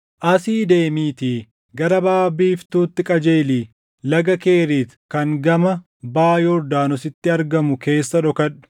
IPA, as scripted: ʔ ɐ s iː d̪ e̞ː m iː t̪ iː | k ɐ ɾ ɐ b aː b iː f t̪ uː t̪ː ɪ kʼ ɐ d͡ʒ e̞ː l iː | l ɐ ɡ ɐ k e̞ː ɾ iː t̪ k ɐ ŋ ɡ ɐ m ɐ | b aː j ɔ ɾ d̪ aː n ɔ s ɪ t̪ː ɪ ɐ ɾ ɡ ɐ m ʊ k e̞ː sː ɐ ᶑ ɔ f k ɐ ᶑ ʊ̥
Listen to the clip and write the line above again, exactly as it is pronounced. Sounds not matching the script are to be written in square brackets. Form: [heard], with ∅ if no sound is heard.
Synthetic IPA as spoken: ʔ ɐ s iː d̪ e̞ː m iː t̪ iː | [ɡ] ɐ ɾ ɐ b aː b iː f t̪ uː t̪ː ɪ kʼ ɐ d͡ʒ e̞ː l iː | l ɐ ɡ ɐ k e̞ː ɾ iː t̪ k ɐ ŋ ɡ ɐ m ɐ | b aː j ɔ ɾ d̪ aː n ɔ s ɪ t̪ː ɪ ɐ ɾ ɡ ɐ m ʊ k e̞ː sː ɐ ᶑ ɔ [∅] k ɐ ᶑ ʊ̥